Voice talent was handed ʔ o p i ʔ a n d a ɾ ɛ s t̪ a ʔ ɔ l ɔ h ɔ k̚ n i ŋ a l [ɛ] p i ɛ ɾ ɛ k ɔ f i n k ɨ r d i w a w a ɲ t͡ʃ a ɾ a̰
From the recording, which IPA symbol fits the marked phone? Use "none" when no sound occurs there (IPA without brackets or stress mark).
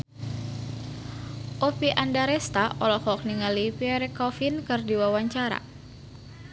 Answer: i